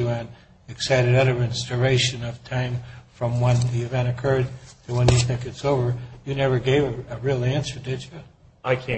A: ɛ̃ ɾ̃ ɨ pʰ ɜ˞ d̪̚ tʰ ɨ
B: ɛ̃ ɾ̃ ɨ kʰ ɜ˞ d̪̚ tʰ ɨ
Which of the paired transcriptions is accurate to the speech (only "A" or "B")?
B